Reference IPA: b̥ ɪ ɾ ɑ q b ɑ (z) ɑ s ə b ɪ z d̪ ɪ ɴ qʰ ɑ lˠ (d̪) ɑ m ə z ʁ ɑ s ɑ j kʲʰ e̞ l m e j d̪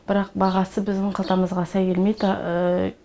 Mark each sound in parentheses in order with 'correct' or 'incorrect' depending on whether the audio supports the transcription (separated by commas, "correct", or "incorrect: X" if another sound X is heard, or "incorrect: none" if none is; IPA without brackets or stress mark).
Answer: incorrect: ʁ, incorrect: t̪